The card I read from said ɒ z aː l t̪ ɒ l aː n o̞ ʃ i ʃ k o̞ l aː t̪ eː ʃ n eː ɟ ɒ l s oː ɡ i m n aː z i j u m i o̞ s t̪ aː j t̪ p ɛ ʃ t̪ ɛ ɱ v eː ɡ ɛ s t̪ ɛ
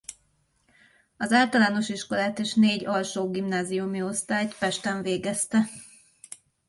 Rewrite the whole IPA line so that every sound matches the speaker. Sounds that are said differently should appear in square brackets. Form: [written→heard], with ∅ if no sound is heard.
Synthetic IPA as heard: ɒ z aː l t̪ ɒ l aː n o̞ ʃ i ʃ k o̞ l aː t̪ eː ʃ n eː ɟ ɒ l [s→ʃ] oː ɡ i m n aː z i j u m i o̞ s t̪ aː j t̪ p ɛ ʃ t̪ ɛ ɱ v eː ɡ ɛ s t̪ ɛ